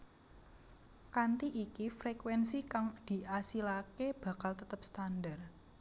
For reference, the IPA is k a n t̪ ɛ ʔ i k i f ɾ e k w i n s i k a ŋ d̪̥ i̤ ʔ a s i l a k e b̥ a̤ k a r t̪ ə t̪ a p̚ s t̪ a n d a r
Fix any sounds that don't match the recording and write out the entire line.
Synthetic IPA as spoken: k a n t̪ i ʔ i k i f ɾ e k w ɛ n s i k a ŋ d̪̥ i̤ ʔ a s i l a k e b̥ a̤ k a l t̪ ə t̪ ə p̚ s t̪ a n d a r